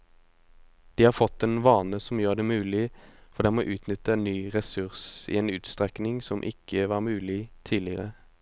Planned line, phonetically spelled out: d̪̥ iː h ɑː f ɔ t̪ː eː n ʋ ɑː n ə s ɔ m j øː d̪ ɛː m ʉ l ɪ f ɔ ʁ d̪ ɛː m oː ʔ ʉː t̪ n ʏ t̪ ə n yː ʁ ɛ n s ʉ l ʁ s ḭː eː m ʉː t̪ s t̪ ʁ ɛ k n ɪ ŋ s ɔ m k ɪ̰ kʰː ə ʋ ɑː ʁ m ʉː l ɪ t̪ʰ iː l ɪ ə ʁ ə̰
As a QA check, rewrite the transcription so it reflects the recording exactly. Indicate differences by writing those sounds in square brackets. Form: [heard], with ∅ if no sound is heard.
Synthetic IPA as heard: d̪̥ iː h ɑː f ɔ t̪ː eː n ʋ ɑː n ə s ɔ m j øː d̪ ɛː m [ʉː] l ɪ f ɔ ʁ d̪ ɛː m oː ʔ ʉː t̪ n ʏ t̪ ə n yː ʁ ɛ [∅] s ʉ [∅] ʁ s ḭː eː [n] ʉː t̪ s t̪ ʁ ɛ k n ɪ ŋ s ɔ m [ʔ] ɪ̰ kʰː ə ʋ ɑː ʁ m ʉː l ɪ t̪ʰ iː l ɪ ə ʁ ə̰